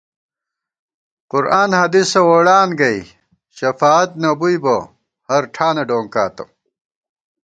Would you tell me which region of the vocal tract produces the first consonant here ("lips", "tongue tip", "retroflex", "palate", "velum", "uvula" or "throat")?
uvula